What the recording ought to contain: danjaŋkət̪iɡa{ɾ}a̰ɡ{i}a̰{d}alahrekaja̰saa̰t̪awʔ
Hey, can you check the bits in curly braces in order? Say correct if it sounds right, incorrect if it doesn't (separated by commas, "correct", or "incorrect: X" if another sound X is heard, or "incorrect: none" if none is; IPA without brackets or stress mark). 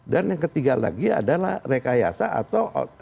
incorrect: l, correct, correct